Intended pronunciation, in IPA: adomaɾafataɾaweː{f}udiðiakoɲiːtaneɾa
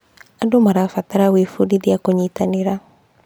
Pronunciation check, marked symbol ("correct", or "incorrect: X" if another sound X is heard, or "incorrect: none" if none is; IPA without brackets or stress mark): correct